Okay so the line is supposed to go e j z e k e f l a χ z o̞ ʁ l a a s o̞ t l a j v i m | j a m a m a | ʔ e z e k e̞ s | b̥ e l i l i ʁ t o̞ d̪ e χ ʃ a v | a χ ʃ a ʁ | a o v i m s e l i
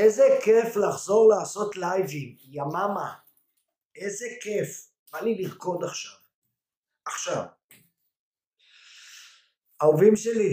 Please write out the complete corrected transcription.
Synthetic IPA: e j z e k e f l a χ z o̞ ʁ l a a s o̞ t l a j v i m | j a m a m a | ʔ e z e k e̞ f | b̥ a l i l i ʁ k o̞ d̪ a χ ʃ a v | a χ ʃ a v | a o v i m ʃ e l i